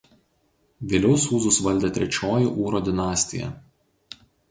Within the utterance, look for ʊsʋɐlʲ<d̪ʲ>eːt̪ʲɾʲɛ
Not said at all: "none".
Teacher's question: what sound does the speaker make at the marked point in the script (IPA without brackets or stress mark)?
d̪ʲ